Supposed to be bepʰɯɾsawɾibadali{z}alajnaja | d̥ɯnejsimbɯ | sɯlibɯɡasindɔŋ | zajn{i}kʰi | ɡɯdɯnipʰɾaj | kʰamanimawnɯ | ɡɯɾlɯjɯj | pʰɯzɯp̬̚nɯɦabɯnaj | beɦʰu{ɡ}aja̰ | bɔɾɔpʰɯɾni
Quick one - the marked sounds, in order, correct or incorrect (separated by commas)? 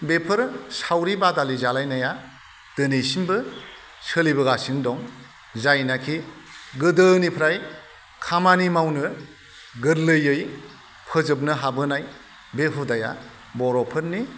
correct, incorrect, incorrect